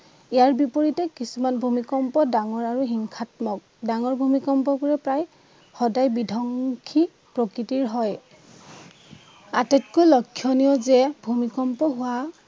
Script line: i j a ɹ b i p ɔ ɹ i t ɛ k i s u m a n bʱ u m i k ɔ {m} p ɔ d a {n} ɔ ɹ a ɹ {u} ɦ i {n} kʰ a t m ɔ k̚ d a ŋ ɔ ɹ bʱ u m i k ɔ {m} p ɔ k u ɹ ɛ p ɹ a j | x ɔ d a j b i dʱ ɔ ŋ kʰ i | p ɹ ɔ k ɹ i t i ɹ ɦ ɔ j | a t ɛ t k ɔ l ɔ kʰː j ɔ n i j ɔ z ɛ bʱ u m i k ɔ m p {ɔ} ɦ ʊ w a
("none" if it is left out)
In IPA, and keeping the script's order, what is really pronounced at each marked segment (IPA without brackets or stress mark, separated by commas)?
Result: m, ŋ, u, ŋ, m, ɔ